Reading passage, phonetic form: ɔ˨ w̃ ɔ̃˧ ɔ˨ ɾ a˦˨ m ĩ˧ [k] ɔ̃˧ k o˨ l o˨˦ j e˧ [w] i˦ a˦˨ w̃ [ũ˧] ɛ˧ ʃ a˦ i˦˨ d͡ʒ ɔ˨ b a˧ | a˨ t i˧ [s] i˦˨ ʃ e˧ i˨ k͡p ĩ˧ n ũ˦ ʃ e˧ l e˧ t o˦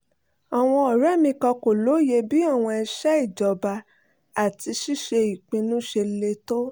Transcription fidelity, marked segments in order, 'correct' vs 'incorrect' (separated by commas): correct, incorrect, incorrect, incorrect